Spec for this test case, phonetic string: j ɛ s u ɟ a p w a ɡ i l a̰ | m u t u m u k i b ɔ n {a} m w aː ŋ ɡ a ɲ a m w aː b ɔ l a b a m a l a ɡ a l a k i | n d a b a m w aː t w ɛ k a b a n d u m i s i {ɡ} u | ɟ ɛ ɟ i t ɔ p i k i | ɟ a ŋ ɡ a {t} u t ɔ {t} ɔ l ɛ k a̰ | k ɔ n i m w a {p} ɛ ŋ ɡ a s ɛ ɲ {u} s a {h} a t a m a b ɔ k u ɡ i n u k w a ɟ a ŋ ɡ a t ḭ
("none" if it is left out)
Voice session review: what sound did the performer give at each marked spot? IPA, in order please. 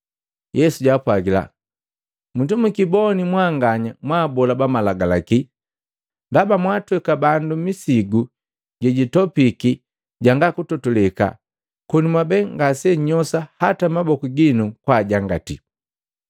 i, ɡ, k, t, b, ɔ, h

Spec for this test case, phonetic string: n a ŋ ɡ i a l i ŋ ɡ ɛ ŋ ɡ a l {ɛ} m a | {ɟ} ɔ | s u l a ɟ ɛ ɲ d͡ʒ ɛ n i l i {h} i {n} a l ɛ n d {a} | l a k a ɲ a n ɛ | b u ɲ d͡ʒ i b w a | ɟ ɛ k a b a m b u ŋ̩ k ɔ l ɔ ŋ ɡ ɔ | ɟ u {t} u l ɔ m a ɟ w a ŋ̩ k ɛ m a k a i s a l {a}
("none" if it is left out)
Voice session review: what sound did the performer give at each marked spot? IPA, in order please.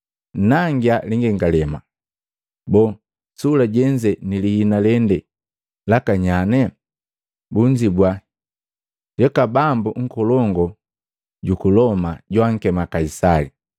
ɛ, b, h, n, ɛ, k, i

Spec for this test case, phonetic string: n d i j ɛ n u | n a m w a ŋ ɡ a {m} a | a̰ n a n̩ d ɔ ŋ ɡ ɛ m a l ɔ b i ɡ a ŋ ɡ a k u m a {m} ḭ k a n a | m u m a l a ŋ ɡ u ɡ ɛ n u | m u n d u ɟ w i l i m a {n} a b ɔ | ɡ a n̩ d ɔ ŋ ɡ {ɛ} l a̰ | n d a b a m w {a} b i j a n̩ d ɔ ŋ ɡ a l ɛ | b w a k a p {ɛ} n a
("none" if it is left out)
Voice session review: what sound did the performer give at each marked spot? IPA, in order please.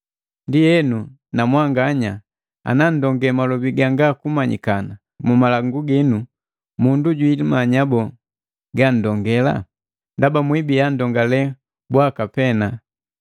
ɲ, ɲ, ɲ, ɛ, i, ɛ

